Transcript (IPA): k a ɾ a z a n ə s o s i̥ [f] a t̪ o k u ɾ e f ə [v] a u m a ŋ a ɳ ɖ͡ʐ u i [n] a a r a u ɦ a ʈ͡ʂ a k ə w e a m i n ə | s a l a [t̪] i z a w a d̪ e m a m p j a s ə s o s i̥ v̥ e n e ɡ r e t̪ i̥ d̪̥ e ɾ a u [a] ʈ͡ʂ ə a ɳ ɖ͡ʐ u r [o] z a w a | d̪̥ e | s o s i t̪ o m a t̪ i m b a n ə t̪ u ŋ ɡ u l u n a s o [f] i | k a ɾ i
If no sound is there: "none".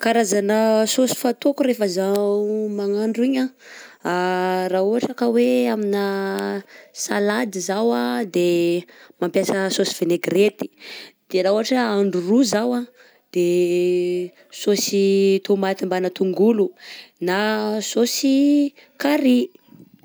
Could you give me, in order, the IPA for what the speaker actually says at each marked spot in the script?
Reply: f, z, ɲ, d̪, a, u, s

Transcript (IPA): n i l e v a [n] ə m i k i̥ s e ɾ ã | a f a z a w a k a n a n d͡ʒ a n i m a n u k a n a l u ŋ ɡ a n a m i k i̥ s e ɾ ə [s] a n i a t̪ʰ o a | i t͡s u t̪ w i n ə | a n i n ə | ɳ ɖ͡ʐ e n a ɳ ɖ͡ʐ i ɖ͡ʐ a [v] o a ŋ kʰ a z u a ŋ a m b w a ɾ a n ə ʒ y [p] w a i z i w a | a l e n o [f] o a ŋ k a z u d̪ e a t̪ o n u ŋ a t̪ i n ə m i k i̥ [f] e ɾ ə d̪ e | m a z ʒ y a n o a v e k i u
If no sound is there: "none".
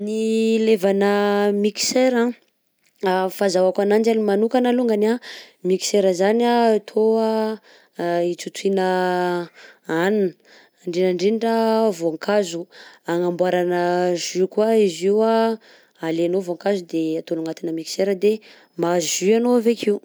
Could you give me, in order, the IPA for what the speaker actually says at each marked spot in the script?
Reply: n, z, v, k, v, s

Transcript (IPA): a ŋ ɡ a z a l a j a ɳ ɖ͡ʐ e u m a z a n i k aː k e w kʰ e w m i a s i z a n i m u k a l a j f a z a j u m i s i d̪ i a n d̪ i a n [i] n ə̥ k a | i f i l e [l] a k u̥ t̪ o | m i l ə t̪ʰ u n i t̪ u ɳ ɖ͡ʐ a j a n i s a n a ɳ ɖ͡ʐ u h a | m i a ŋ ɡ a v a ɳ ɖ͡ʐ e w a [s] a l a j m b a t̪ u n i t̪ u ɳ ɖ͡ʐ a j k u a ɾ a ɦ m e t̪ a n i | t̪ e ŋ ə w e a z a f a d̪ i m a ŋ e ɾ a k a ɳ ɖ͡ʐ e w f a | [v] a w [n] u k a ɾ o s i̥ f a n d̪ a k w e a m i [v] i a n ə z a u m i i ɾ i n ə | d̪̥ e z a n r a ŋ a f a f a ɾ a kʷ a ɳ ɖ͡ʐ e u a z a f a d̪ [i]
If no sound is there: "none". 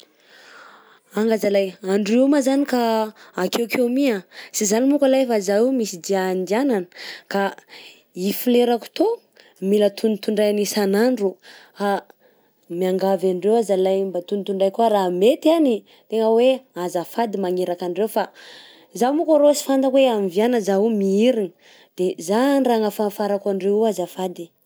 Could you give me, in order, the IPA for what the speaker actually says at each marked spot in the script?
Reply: a, ɾ, z, z, m, v, i

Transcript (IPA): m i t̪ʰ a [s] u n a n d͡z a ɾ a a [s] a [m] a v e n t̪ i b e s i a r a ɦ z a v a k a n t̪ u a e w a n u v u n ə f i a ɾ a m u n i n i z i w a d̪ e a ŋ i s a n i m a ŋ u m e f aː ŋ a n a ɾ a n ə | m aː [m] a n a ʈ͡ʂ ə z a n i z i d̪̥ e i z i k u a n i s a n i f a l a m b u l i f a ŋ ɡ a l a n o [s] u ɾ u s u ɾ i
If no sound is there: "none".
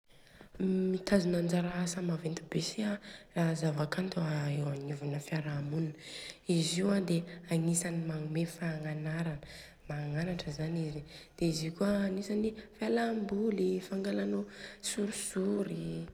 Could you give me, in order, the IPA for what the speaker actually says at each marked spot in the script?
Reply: z, s, m, ŋ, s

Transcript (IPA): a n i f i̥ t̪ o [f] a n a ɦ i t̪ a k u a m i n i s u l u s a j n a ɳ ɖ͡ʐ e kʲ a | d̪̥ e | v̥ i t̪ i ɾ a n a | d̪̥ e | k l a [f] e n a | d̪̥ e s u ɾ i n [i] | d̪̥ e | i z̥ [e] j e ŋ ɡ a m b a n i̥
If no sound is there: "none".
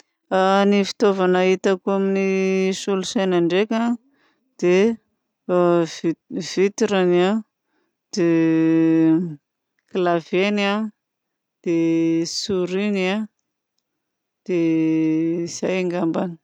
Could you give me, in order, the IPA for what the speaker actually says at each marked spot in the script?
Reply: v, v, a, a

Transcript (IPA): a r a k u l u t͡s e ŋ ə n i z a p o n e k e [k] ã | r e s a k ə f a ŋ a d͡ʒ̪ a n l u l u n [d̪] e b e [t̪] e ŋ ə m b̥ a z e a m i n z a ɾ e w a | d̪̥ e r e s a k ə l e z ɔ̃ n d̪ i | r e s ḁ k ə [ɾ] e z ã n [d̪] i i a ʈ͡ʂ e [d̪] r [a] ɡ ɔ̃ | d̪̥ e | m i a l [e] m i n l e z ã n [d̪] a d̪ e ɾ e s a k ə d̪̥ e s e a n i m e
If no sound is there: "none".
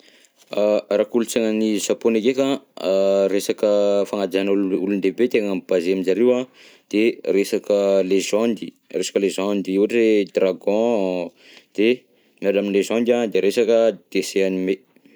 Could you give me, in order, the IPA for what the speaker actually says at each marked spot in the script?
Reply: k, d̪, t̪, l, d̪, d̪, a, a, d̪

